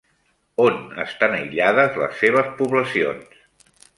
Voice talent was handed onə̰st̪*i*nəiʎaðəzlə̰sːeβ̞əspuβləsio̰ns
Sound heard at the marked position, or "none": a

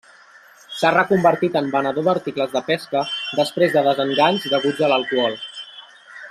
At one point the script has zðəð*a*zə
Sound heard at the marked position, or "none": ə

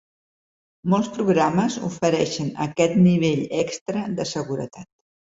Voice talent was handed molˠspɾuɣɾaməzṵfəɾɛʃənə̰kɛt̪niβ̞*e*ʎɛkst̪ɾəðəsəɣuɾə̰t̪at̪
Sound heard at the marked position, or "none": e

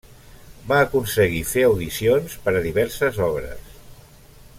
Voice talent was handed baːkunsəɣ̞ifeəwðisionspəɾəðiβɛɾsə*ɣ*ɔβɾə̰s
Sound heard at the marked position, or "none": z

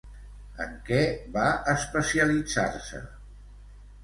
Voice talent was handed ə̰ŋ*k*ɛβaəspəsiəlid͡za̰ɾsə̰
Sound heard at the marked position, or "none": k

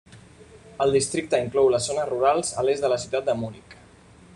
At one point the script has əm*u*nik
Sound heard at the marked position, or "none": u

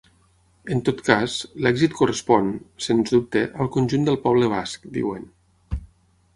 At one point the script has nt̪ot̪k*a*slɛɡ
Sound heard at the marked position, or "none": a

